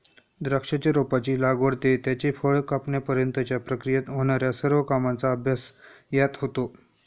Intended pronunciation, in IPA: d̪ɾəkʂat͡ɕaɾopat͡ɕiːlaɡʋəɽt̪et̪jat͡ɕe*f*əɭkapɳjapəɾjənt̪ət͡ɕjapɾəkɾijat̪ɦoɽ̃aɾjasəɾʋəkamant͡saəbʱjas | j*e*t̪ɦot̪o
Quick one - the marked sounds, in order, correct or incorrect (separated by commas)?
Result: correct, incorrect